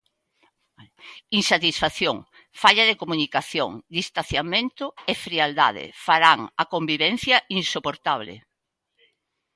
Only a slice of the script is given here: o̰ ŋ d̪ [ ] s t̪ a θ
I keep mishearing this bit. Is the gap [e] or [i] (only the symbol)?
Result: i